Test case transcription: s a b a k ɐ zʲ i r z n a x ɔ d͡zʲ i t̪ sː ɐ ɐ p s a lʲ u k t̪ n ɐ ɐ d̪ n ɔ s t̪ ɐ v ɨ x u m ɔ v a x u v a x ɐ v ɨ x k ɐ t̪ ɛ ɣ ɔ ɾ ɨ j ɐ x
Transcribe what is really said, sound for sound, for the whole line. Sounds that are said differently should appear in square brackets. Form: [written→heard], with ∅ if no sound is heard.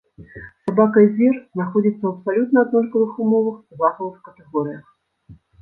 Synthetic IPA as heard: s a b a k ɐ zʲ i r z n a x ɔ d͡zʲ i t̪ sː ɐ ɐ p s a lʲ u [k→∅] t̪ n ɐ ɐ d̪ n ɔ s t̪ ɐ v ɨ x u m ɔ v [a→ɐ] x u [v→z] a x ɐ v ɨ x k ɐ t̪ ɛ ɣ ɔ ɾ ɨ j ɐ x

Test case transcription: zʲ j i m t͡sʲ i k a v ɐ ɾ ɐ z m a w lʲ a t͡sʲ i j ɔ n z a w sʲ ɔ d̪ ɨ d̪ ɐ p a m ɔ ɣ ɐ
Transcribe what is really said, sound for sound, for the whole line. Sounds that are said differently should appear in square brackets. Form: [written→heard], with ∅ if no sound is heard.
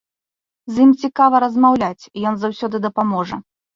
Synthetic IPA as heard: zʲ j i m t͡sʲ i k a v ɐ ɾ ɐ z m a w lʲ a t͡sʲ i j ɔ n z a w sʲ ɔ d̪ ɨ d̪ ɐ p a m ɔ [ɣ→ʐ] ɐ

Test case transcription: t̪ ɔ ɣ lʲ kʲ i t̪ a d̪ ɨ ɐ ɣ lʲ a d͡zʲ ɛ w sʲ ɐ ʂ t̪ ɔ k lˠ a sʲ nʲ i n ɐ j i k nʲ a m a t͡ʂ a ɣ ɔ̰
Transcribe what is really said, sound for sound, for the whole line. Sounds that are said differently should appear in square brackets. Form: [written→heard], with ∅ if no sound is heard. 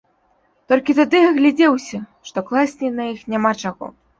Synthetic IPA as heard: t̪ ɔ [ɣ→∅] lʲ kʲ i t̪ a d̪ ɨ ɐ ɣ lʲ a d͡zʲ ɛ w sʲ ɐ ʂ t̪ ɔ k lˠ a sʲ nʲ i n ɐ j i [k→x] nʲ a m a t͡ʂ a ɣ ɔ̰

